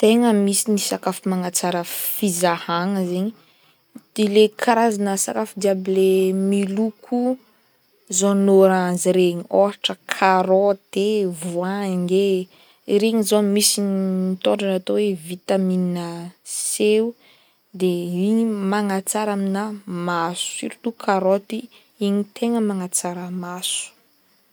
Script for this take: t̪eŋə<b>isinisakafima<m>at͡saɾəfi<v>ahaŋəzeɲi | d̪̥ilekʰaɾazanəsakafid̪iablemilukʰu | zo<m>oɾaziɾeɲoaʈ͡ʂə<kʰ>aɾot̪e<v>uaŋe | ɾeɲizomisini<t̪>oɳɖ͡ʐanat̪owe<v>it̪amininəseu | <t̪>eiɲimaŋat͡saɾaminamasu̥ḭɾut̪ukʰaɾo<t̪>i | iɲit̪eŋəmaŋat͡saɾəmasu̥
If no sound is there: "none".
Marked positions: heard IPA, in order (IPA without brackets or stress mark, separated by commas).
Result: m, ŋ, z, n, kʰ, v, t̪, v, d̪, t̪